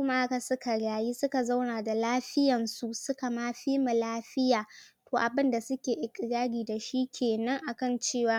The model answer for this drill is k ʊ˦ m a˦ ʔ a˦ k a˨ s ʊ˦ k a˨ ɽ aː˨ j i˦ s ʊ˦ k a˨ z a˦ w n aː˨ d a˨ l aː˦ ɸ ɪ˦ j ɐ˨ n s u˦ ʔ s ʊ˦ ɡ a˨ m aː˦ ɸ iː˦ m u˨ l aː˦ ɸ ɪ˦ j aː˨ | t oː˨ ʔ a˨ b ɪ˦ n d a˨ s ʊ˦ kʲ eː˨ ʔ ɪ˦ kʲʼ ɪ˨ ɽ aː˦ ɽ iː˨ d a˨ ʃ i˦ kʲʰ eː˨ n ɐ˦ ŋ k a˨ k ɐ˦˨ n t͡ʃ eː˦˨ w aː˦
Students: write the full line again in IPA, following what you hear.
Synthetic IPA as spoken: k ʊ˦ m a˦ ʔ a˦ k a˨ s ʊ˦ k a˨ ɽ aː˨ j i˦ s ʊ˦ k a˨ z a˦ w n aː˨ d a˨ l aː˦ ɸ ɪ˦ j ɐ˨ n s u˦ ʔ s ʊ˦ k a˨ m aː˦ ɸ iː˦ m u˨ l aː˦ ɸ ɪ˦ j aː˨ | t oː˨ ʔ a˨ b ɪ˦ n d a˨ s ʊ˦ kʲ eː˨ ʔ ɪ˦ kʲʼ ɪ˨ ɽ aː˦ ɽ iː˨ d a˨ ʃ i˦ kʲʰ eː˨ n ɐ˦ ŋ ʔ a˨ k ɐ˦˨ n t͡ʃ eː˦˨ w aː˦